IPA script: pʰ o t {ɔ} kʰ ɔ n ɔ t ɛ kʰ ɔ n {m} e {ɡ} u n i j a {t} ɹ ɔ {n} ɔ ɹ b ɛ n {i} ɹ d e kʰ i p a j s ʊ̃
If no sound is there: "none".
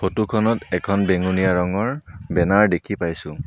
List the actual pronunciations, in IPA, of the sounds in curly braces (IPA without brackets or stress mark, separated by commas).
u, b, ŋ, none, ŋ, a